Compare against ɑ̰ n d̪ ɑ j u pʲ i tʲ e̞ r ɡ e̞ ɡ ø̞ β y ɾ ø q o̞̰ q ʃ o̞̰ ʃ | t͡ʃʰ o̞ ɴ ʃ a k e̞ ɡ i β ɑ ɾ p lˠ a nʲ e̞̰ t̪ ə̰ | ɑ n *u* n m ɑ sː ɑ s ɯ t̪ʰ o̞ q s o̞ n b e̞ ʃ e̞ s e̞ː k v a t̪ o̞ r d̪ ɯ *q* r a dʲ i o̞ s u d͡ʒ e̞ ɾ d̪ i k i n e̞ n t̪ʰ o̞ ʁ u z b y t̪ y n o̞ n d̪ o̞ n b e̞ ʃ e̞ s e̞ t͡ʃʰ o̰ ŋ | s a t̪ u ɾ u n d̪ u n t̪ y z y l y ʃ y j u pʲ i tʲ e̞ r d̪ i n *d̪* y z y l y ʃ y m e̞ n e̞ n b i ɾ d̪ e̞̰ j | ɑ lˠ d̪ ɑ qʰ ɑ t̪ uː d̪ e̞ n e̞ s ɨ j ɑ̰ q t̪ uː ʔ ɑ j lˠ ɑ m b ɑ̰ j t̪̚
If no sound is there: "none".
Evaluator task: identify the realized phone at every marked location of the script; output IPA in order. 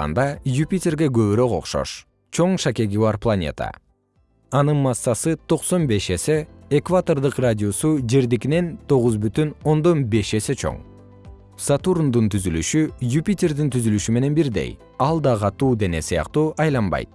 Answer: ɯ, q, t̪

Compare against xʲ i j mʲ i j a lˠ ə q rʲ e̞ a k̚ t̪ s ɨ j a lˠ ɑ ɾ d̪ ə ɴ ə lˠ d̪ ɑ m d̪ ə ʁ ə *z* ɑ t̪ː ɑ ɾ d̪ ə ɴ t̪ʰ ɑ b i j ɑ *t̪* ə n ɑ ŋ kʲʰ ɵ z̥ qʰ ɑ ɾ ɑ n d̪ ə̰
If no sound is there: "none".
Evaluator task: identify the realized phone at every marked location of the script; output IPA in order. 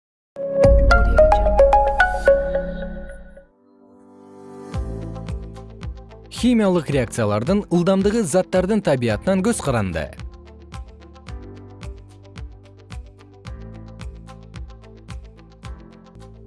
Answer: z, t̪

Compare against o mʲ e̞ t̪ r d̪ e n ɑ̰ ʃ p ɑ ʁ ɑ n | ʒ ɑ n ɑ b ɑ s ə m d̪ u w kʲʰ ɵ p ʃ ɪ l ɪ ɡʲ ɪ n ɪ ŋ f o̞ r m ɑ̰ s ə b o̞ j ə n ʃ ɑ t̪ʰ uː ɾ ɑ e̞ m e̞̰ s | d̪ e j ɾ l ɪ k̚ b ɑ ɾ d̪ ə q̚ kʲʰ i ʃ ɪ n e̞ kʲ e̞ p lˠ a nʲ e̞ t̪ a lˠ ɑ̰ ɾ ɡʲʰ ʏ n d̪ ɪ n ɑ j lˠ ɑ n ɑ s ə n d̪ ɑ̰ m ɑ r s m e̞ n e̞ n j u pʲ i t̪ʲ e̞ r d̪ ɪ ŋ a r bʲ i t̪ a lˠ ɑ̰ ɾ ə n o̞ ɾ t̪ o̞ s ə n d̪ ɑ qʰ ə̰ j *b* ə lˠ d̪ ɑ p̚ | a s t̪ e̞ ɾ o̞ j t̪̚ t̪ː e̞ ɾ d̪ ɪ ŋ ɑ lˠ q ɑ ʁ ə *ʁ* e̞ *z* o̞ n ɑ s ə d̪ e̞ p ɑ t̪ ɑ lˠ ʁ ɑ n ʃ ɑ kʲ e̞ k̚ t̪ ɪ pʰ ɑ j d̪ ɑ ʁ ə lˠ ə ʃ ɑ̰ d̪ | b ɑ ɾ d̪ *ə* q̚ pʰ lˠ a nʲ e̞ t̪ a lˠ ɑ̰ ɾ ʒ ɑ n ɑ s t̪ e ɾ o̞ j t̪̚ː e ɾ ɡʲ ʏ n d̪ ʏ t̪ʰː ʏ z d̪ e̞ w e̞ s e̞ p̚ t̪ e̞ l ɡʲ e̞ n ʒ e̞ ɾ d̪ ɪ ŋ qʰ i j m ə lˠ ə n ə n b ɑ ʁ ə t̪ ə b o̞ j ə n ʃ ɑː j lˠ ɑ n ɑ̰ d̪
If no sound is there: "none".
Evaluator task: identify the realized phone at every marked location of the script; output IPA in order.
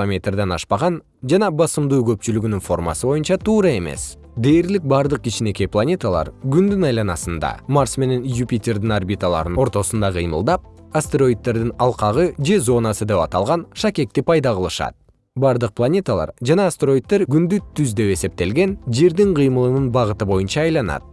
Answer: m, ʒ, z, ə

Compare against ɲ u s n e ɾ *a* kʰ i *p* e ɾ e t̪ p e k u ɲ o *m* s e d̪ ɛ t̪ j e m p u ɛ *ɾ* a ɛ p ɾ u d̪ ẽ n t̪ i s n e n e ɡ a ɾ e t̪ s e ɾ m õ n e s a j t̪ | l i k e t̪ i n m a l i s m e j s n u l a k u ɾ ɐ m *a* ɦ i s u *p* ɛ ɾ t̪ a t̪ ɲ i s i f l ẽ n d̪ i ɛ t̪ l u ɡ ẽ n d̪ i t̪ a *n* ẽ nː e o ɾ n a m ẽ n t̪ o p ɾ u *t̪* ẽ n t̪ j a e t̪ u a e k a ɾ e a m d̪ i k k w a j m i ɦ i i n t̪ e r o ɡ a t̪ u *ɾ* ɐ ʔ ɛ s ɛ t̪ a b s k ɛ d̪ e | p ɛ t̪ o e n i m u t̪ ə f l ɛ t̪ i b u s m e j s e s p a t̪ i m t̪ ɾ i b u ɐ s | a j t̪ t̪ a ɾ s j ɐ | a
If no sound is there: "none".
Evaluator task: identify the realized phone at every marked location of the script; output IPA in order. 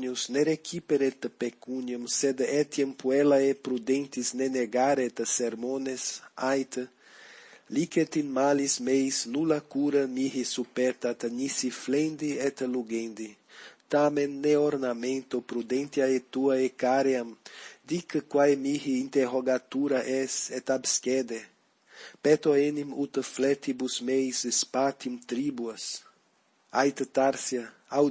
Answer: e, p, m, l, i, p, m, d̪, ɾ

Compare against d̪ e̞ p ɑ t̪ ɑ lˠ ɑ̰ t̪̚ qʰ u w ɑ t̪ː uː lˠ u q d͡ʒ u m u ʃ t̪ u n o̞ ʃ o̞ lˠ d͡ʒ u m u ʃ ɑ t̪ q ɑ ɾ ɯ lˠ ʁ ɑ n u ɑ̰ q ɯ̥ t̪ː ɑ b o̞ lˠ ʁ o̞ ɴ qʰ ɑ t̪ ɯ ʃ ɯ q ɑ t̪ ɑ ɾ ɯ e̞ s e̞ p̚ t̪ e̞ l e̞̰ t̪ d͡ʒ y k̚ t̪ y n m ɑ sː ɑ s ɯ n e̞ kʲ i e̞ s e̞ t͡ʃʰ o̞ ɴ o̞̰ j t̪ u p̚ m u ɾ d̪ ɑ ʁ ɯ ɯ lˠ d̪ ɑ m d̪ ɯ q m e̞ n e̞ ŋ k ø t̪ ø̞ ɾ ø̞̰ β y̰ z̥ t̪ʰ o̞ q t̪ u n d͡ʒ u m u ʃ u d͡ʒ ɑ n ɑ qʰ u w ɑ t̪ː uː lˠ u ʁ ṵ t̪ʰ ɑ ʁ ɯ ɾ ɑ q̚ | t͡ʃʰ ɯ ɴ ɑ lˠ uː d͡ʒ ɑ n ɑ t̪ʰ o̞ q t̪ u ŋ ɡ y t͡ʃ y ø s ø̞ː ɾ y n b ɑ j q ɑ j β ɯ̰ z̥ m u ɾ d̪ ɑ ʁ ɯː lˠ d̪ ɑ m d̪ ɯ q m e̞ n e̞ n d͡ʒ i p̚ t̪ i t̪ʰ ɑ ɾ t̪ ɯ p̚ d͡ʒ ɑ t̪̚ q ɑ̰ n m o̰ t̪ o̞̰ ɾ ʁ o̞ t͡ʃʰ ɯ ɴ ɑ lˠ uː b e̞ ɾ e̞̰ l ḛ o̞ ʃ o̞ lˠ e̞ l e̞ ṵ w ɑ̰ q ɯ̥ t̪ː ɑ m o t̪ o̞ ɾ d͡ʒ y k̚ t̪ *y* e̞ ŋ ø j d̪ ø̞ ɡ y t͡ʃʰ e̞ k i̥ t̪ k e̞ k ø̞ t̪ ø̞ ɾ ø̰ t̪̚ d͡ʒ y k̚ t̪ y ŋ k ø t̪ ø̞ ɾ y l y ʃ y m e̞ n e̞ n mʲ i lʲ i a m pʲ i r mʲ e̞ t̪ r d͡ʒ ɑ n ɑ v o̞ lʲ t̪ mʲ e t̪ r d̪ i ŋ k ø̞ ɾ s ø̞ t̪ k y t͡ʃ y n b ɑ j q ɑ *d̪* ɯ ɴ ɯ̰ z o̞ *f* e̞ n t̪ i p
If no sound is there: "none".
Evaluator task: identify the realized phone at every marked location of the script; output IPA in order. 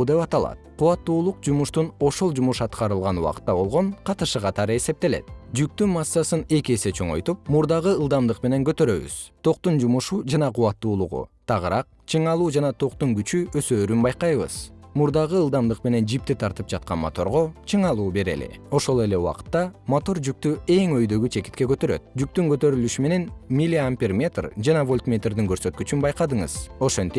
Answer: y, d̪, ʃ

